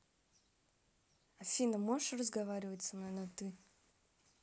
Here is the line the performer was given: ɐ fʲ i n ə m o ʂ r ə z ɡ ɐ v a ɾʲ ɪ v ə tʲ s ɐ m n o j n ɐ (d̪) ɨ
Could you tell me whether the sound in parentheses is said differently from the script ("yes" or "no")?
yes